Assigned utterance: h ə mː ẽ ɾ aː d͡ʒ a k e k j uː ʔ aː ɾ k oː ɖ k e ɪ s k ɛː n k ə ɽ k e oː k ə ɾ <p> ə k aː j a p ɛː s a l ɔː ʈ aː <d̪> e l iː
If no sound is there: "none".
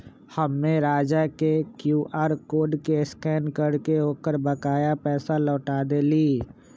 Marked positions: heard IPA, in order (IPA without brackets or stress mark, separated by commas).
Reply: b, d̪